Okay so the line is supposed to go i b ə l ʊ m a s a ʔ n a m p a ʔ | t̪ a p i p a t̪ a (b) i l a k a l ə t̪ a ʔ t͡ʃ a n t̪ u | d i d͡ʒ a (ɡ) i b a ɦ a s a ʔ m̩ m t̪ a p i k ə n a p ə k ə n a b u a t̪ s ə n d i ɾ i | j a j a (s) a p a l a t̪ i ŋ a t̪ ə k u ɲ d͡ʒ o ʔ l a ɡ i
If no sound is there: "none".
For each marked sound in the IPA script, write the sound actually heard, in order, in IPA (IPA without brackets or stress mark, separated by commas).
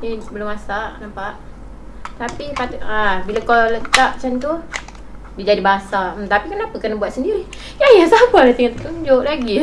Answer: b, d, s